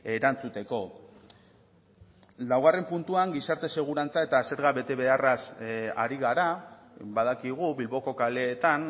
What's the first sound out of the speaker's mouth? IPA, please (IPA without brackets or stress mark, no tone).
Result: e̞